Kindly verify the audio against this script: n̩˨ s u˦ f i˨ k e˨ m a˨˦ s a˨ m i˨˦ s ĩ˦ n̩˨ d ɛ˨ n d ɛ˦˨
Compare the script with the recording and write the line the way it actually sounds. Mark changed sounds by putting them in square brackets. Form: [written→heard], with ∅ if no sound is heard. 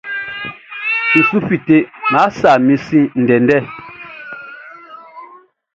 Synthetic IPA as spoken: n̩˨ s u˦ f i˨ [k→t] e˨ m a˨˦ s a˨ m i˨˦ s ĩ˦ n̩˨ d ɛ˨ n d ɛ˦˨